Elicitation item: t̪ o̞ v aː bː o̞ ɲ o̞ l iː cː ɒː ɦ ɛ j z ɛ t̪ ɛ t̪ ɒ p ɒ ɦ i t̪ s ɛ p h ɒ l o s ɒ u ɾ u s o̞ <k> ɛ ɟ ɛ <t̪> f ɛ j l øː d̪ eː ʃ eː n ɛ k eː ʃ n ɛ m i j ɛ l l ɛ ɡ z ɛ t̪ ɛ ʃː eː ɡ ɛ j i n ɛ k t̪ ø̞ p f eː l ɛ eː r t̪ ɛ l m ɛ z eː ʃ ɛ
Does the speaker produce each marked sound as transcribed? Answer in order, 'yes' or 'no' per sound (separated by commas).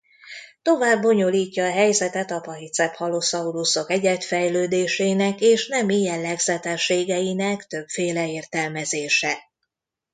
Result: yes, yes